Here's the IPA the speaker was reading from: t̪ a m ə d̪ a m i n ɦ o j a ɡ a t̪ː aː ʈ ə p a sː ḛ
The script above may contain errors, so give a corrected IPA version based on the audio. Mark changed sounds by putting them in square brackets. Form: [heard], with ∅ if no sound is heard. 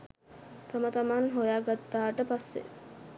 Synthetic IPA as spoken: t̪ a m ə [t̪] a m [a] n ɦ o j a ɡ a t̪ː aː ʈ ə p a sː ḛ